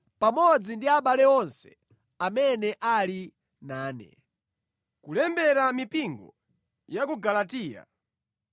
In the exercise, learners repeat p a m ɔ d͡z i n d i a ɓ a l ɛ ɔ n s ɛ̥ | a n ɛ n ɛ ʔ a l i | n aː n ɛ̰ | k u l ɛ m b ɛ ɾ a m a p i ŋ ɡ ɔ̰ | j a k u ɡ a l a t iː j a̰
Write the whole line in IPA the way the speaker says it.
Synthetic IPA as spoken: p a m ɔ d͡z i n d i a ɓ a l ɛ ɔ n s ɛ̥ | a m ɛ n ɛ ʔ a l i | n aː n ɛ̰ | k u l ɛ m b ɛ ɾ a m i p i ŋ ɡ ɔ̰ | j a k u ɡ a l a t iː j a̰